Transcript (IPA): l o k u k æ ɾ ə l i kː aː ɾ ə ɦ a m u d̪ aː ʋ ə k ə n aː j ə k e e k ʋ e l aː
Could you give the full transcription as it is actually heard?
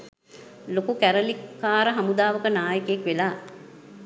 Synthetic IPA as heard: l o k u k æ ɾ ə l i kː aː ɾ ə ɦ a m u d̪ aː ʋ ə k ə n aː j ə k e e k ʋ e l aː